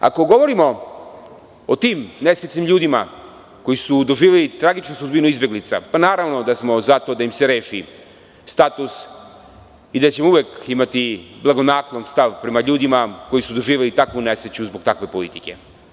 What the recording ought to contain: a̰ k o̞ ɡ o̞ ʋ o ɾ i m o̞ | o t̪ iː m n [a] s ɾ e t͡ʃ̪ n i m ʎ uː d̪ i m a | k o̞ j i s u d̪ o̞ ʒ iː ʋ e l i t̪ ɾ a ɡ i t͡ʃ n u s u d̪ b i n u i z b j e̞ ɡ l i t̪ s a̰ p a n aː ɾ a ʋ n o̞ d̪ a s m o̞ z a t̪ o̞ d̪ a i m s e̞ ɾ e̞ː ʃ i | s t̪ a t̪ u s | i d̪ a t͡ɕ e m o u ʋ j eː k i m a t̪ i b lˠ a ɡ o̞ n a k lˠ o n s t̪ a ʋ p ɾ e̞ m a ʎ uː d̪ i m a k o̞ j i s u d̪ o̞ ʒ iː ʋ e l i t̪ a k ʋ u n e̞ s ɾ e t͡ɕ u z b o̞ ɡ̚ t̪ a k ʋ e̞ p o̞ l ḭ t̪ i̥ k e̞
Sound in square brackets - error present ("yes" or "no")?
yes